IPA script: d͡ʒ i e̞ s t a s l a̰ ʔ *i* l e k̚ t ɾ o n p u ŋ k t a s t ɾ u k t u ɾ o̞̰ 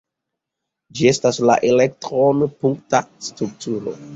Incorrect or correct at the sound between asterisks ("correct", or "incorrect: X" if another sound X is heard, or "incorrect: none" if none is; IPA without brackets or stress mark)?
incorrect: e